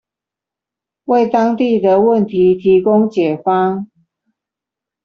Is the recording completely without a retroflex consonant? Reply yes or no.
yes